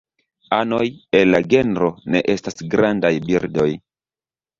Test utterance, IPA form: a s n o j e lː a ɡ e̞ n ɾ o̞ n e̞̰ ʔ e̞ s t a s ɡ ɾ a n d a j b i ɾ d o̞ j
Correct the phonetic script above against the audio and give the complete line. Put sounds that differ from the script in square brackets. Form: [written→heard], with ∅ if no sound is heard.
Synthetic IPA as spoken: a [s→∅] n o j e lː a ɡ e̞ n ɾ o̞ n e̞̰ ʔ e̞ s t a s ɡ ɾ a n d a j b i ɾ d o̞ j